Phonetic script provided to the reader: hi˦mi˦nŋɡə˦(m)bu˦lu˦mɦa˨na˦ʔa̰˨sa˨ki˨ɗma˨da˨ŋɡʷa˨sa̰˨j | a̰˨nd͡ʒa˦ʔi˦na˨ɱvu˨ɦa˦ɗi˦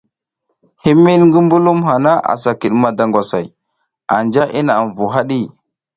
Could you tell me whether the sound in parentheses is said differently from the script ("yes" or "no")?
no